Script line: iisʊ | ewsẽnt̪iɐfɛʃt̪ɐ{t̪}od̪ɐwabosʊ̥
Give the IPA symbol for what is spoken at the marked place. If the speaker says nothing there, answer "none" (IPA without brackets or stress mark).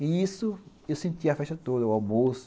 t̪